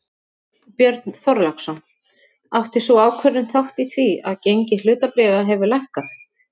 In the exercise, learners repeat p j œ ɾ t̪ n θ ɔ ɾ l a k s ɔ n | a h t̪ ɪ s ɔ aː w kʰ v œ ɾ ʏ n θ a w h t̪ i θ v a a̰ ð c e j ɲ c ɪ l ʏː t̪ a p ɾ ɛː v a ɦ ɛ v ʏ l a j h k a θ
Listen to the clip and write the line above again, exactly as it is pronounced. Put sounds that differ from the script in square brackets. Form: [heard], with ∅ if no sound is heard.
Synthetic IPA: p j œ ɾ t̪ n θ ɔ ɾ l a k s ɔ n | a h t̪ ɪ s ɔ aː w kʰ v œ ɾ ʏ n θ a w h t̪ i θ v [i] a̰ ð c e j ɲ c ɪ l ʏː t̪ a p ɾ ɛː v a ɦ ɛ v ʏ l a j h k a θ